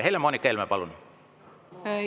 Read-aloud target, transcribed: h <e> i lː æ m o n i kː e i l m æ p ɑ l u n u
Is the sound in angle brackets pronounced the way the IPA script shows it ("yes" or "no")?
yes